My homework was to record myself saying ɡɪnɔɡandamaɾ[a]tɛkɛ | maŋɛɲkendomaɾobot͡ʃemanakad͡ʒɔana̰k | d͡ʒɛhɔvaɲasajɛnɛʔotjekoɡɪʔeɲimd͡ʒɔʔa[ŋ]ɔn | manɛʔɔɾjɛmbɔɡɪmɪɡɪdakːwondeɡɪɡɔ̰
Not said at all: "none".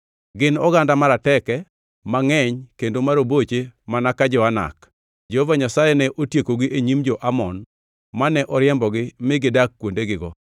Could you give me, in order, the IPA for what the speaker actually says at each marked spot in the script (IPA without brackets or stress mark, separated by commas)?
a, m